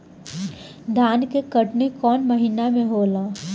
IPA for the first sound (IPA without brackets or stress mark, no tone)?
d̪ʱ